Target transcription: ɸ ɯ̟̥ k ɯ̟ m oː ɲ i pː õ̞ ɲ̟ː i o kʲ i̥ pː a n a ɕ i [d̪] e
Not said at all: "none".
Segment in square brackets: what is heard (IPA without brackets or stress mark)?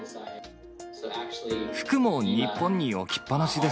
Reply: d̪